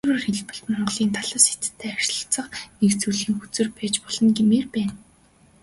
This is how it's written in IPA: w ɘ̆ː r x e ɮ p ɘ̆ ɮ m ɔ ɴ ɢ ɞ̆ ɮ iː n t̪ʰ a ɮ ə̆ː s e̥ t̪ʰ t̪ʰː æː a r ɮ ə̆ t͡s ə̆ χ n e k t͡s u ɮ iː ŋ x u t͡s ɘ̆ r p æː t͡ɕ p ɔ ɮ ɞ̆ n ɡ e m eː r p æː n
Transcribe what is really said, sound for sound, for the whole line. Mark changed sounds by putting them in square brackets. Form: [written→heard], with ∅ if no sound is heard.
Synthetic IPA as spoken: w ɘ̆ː r x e ɮ p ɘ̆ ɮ m ɔ ɴ ɢ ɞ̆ ɮ iː n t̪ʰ a ɮ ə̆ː s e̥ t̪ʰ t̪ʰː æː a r ɮ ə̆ t͡s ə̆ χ n e k t͡s u ɮ iː ŋ x u t͡s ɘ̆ r p æː t͡ɕ p ɔ ɮ ɞ̆ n ɡ e m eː r p æː n